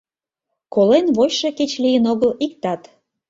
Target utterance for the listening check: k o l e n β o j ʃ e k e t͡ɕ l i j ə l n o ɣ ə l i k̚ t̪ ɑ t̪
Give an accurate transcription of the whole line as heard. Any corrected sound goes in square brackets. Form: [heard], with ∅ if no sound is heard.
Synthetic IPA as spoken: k o l e n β o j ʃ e k e t͡ɕ l i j ə [∅] n o ɣ ə l i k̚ t̪ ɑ t̪